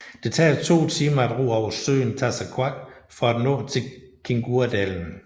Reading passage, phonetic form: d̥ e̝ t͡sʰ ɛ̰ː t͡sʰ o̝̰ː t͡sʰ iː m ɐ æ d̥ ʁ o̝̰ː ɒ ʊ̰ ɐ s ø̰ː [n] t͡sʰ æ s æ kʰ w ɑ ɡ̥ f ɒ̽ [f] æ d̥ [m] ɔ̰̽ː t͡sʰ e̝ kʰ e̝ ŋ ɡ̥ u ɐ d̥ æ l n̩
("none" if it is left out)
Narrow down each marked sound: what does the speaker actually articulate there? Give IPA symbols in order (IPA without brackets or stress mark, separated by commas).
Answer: n, none, n